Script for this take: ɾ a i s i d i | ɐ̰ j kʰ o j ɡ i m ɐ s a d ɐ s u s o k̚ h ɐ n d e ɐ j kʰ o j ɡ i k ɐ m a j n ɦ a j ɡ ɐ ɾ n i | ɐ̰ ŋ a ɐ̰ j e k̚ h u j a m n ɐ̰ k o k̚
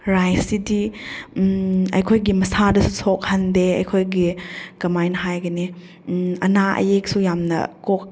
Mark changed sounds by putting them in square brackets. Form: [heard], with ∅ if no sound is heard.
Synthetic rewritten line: ɾ a [j] s i d i | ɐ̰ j kʰ o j ɡ i m ɐ s a d ɐ s u s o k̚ h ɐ n d e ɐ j kʰ o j ɡ i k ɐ m a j n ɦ a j ɡ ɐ [∅] n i | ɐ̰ [n] a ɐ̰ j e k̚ [s] u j a m n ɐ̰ k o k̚